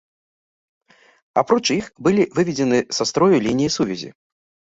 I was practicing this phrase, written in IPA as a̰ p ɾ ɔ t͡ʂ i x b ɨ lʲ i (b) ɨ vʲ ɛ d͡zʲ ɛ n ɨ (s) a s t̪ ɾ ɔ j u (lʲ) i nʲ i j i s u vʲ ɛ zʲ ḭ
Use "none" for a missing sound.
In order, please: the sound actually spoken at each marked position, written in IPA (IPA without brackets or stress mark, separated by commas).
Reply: v, s, lʲ